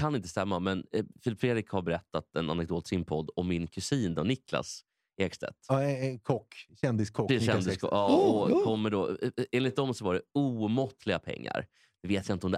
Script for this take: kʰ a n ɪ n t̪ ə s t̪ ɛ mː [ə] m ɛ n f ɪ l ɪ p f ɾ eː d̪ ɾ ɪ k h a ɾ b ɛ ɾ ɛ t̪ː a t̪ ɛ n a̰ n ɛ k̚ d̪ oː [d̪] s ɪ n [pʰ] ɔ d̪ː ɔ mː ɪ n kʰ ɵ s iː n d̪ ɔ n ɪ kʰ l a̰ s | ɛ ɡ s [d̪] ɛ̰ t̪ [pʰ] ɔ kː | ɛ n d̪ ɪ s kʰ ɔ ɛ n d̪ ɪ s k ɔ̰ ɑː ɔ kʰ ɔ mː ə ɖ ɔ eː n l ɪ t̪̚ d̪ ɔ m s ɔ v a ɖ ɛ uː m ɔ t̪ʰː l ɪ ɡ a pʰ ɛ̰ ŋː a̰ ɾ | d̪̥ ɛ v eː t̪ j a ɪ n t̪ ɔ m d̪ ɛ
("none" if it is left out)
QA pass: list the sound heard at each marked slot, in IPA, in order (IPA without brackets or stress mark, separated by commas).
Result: a, t̪, pʰ, t̪, kʰ